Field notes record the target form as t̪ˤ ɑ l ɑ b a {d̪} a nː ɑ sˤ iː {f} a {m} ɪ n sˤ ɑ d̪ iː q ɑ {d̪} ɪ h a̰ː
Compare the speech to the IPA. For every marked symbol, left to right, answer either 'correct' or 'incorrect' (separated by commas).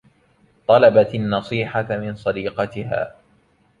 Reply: incorrect, incorrect, correct, incorrect